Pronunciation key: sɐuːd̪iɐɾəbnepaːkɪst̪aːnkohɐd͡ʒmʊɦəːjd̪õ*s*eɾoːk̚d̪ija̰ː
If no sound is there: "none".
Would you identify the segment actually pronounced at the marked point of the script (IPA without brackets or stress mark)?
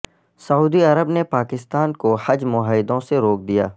s